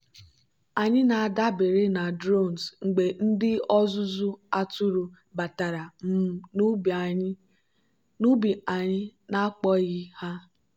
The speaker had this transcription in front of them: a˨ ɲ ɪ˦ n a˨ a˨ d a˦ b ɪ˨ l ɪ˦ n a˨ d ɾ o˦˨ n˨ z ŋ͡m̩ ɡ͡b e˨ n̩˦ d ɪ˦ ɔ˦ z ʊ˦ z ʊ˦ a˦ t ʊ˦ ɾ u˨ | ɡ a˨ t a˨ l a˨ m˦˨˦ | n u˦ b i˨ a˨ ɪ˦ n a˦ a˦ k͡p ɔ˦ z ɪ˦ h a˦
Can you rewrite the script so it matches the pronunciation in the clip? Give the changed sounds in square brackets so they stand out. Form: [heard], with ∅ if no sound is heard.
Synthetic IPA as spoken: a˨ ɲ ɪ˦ n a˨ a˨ d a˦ b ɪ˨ [ɾ] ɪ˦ n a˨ d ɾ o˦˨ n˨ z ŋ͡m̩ ɡ͡b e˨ n̩˦ d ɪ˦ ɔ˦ z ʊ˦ z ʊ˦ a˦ t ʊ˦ ɾ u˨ | [b] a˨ t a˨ [ɾ] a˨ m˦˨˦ | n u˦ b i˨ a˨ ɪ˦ n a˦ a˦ k͡p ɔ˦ [ɣ] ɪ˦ h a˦